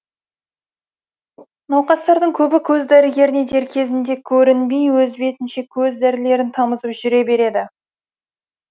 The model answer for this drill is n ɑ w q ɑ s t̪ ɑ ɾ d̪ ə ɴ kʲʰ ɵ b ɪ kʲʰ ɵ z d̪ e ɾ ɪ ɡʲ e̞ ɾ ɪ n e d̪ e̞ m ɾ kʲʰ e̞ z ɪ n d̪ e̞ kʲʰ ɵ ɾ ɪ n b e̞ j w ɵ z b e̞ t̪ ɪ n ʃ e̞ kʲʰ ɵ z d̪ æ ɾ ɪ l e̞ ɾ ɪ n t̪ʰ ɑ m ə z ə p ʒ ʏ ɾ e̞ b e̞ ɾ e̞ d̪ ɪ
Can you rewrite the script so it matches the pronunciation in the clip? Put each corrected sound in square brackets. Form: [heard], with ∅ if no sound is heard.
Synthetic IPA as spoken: n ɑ w q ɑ s t̪ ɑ ɾ d̪ ə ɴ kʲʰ ɵ b ɪ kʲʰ ɵ z d̪ [æ] ɾ ɪ ɡʲ e̞ ɾ ɪ n e d̪ e̞ [∅] ɾ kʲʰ e̞ z ɪ n d̪ e̞ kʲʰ ɵ ɾ ɪ n b e̞ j w ɵ z b e̞ t̪ ɪ n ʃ e̞ kʲʰ ɵ z d̪ æ ɾ ɪ l e̞ ɾ ɪ n t̪ʰ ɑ m ə z ə p ʒ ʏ ɾ e̞ b e̞ ɾ e̞ d̪ ɪ